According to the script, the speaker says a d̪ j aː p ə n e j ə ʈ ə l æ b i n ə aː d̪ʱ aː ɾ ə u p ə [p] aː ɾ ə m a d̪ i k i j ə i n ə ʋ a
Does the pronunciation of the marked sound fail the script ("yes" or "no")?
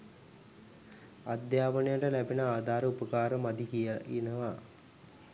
yes